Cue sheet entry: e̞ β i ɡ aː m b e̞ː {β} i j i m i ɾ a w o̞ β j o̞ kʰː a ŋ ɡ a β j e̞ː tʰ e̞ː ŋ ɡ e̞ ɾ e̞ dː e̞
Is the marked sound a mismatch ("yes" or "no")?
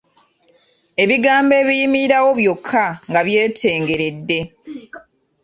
no